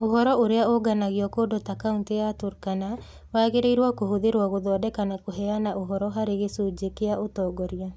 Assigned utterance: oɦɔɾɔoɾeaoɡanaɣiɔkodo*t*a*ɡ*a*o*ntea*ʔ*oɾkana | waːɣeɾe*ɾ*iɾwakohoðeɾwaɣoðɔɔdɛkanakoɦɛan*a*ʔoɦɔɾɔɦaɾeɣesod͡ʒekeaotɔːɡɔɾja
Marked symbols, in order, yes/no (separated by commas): yes, no, no, no, no, yes